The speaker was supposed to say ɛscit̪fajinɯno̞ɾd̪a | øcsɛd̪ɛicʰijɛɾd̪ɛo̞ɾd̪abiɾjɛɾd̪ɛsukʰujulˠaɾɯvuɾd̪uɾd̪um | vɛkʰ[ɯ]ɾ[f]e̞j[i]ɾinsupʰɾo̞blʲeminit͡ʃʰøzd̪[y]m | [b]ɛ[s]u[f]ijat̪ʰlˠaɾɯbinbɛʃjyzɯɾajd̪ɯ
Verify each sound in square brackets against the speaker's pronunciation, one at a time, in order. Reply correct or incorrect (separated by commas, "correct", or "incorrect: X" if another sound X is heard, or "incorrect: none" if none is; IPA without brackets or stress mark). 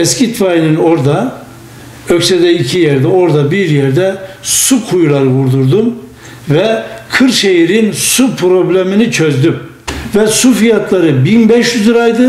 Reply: correct, incorrect: ʃ, correct, correct, incorrect: v, correct, correct